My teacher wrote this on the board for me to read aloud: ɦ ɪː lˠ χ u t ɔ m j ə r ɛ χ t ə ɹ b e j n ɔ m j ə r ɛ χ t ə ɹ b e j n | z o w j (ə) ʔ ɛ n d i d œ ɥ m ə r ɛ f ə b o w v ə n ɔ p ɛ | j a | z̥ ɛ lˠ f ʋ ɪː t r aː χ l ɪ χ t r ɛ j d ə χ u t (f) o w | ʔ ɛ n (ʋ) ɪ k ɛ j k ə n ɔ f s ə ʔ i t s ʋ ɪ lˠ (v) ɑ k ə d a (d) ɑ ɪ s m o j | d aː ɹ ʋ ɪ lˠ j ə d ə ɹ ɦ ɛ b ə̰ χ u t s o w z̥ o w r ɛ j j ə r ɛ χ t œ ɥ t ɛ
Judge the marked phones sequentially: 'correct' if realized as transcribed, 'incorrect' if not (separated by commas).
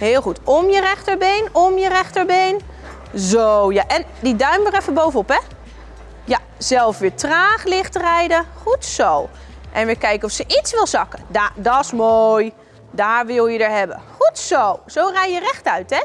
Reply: incorrect, incorrect, correct, incorrect, correct